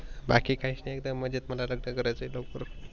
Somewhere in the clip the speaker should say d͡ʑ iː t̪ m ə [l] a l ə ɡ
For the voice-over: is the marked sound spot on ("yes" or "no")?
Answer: yes